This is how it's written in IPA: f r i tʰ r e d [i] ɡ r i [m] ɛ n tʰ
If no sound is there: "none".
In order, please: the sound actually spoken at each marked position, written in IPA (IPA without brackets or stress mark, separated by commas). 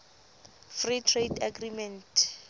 a, m